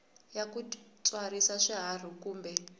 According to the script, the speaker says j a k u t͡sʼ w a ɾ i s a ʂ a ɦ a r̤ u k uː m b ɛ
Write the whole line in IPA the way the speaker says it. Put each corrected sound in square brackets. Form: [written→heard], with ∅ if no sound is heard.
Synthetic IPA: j a k u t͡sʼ w a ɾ i s a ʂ [a→i] ɦ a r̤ u k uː m b ɛ